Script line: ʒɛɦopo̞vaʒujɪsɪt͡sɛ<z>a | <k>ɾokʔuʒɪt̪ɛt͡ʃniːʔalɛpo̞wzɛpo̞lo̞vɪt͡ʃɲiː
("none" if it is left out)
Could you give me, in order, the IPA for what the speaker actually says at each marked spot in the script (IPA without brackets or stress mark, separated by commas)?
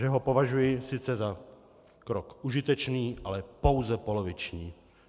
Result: z, k